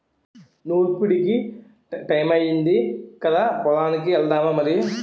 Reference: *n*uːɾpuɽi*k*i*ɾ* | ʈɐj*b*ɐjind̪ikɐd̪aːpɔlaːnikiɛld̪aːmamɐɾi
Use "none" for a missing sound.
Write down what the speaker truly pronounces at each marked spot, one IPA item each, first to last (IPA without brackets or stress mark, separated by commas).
n, k, none, m